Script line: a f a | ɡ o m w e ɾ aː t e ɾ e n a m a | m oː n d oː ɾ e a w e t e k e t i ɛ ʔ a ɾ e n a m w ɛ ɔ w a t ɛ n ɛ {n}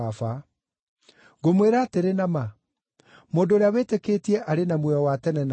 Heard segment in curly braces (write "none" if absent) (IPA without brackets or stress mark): n